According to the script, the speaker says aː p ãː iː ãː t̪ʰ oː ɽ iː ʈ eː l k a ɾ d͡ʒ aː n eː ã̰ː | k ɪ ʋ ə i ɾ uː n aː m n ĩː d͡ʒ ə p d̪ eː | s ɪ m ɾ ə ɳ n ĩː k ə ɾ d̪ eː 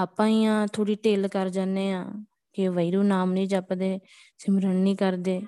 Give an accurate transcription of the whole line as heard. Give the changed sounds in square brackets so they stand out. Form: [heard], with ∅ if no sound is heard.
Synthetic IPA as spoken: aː p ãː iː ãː t̪ʰ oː ɽ iː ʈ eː l k [ə] ɾ d͡ʒ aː n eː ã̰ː | k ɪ ʋ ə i ɾ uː n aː m n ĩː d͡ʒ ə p d̪ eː | s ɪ m ɾ ə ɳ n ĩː k ə ɾ d̪ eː